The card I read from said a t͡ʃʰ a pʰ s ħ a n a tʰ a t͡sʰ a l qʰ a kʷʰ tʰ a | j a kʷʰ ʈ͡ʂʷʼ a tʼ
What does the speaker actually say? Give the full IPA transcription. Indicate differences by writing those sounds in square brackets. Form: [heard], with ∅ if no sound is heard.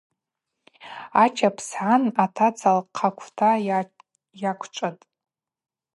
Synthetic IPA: a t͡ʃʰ a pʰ s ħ a n a tʰ a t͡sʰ a l qʰ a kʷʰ tʰ a | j a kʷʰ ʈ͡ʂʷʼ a tʼ